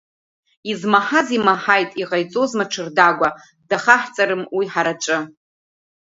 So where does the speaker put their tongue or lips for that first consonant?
tongue tip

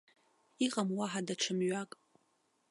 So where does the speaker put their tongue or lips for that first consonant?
uvula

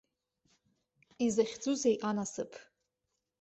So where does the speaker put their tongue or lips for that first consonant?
tongue tip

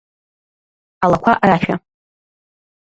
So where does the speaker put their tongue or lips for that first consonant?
tongue tip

